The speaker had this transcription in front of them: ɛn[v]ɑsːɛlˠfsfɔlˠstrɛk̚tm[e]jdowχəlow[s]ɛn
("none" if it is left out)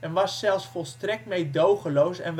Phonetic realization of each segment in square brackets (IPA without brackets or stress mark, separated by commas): ʋ, e, s